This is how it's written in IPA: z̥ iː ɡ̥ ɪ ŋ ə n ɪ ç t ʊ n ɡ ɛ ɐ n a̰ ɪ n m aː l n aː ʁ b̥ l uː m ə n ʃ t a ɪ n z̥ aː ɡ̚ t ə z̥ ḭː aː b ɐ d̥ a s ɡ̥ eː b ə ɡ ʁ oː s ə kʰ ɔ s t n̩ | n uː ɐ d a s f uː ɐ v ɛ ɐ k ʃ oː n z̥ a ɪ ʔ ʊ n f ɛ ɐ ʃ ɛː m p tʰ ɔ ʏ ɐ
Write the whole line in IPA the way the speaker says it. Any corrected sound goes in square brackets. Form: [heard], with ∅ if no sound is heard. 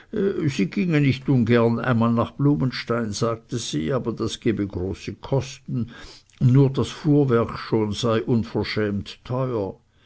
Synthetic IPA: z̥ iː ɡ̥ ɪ ŋ ə n ɪ ç t ʊ n ɡ ɛ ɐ n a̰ ɪ n m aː l n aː [χ] b̥ l uː m ə n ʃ t a ɪ n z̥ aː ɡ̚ t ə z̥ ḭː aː b ɐ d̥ a s ɡ̥ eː b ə ɡ ʁ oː s ə kʰ ɔ s t n̩ | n uː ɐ d a s f uː ɐ v ɛ ɐ k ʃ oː n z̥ a ɪ ʔ ʊ n f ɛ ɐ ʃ ɛː m [t] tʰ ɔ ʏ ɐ